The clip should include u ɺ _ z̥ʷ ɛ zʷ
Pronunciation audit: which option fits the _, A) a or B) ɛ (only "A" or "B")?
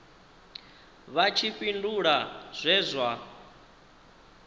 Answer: A